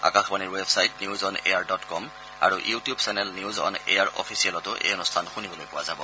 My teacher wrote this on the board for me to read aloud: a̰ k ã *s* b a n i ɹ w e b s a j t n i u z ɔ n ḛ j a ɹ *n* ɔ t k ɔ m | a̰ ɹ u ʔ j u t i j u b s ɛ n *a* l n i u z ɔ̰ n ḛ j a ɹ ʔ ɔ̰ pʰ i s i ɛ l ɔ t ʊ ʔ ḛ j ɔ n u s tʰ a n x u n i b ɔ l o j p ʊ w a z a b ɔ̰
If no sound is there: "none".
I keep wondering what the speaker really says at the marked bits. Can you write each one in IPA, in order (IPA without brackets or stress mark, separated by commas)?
x, d, ɛ